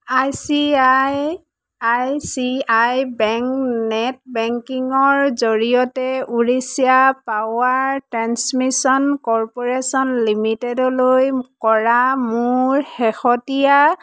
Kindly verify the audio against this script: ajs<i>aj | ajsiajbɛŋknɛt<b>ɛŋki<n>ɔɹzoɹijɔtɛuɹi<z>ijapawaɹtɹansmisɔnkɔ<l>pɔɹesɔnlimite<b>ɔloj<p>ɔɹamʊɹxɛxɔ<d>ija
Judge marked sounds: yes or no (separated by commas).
yes, yes, no, no, no, no, no, no